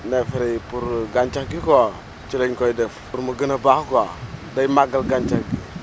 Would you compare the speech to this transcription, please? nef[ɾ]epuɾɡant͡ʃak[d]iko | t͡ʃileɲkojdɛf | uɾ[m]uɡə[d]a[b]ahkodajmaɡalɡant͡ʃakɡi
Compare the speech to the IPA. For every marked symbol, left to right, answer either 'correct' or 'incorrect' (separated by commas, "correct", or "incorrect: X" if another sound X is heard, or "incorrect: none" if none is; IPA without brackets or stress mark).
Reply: correct, incorrect: ɡ, correct, incorrect: n, correct